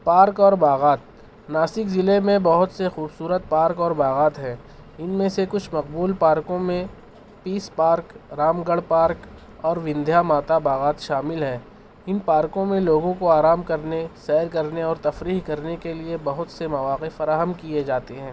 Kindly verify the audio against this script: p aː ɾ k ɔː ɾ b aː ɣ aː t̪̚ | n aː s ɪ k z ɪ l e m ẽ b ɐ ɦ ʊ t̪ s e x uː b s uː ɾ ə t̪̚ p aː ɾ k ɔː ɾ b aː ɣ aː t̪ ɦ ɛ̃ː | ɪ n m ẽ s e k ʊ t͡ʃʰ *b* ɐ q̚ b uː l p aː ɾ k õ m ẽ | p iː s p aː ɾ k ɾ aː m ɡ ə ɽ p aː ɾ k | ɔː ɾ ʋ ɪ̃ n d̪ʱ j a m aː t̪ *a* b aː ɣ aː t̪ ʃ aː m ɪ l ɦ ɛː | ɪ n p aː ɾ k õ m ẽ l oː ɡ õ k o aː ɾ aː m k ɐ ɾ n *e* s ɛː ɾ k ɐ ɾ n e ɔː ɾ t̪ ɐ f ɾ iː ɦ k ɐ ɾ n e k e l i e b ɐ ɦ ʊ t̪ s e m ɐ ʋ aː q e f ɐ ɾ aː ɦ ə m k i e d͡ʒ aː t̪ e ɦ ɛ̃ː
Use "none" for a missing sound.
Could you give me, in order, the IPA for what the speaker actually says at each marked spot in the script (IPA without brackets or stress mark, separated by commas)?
m, a, e